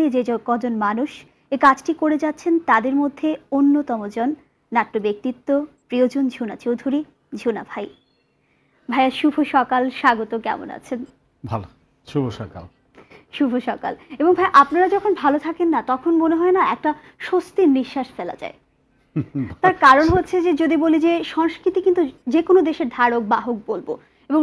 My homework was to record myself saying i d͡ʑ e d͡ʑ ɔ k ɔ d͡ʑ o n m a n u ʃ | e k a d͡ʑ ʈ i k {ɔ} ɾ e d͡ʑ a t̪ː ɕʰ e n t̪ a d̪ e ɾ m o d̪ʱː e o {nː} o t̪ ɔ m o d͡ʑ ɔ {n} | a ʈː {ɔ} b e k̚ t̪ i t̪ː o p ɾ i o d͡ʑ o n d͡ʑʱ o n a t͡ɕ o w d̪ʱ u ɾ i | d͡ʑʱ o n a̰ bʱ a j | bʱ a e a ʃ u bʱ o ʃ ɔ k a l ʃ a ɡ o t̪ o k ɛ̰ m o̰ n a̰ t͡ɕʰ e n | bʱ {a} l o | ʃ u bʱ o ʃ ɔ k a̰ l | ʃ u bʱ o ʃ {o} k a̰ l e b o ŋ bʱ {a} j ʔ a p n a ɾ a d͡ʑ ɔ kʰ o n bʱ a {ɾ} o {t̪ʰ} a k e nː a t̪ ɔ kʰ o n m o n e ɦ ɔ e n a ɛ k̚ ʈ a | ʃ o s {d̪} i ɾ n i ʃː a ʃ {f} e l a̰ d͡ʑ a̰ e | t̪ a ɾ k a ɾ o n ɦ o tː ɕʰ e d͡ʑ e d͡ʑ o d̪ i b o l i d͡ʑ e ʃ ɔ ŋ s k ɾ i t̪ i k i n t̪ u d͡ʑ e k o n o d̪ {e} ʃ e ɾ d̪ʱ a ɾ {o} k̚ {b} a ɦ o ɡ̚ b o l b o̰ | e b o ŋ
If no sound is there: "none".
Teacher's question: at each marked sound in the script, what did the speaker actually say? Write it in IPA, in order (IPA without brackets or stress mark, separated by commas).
o, nː, nː, o, a, ɔ, a, l, t̪ʰ, t̪, f, e, o, b